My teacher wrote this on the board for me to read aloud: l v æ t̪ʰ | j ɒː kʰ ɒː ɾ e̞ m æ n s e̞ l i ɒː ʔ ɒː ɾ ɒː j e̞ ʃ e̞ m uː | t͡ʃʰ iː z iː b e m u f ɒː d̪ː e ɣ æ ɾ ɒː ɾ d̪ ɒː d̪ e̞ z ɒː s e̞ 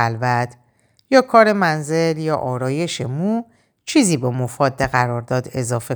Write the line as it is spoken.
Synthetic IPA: l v æ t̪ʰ | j ɒː kʰ ɒː ɾ e̞ m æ n z e̞ l j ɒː ʔ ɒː ɾ ɒː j e̞ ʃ e̞ m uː | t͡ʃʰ iː z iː b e m o f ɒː d̪ː e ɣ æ ɾ ɒː ɾ d̪ ɒː d̪ e̞ z ɒː f e̞